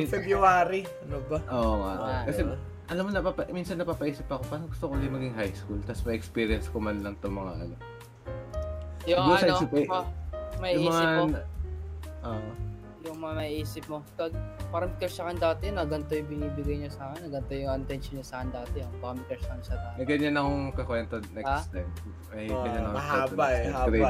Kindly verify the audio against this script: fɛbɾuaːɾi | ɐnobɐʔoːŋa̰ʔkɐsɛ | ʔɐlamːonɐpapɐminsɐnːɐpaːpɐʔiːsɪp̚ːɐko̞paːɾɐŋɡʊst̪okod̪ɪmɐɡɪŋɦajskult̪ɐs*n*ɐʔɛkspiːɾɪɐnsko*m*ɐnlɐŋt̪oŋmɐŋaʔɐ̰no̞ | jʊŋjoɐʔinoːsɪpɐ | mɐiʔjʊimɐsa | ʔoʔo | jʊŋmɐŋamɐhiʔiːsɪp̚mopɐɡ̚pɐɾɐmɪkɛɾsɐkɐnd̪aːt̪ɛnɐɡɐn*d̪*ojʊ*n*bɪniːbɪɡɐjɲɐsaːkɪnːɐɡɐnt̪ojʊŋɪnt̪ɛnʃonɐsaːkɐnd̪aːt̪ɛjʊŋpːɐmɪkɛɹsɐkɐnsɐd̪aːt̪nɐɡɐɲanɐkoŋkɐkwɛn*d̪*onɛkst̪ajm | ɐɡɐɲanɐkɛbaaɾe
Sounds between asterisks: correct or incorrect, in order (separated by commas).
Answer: incorrect, correct, incorrect, incorrect, incorrect